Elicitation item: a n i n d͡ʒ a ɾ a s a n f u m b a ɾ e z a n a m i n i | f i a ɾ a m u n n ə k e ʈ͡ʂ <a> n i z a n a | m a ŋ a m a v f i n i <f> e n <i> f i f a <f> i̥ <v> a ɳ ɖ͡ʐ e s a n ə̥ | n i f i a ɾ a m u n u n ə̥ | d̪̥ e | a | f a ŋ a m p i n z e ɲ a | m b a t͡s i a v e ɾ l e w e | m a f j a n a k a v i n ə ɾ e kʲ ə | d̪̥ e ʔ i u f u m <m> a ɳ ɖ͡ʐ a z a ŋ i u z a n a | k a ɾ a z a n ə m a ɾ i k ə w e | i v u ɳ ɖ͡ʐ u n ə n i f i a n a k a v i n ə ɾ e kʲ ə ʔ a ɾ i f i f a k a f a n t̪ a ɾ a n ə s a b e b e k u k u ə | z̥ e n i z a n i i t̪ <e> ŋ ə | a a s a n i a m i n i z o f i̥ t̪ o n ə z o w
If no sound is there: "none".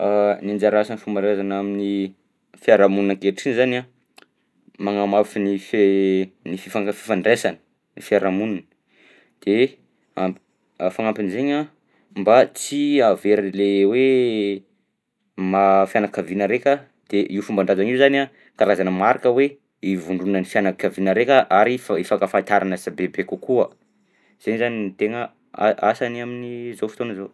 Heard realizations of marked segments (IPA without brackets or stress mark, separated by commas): i, f, i, f, f, b, e